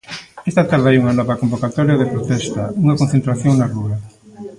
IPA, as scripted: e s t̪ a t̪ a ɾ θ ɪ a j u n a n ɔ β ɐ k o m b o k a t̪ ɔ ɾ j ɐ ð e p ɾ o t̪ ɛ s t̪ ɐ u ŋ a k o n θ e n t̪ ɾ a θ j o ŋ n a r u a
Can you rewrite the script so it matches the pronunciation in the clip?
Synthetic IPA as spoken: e s t̪ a t̪ a ɾ ð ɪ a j u ŋ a n ɔ β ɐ k o m b o k a t̪ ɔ ɾ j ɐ ð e p ɾ o t̪ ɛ s t̪ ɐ u ŋ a k o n θ e n t̪ ɾ a θ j o ŋ n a r u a